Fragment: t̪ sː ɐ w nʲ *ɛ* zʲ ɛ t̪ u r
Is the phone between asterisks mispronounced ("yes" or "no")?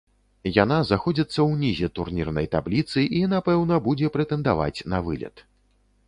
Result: yes